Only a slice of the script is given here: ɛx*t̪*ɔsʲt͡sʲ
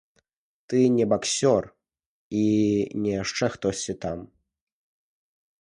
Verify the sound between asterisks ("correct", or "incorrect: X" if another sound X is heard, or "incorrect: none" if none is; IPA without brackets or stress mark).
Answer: correct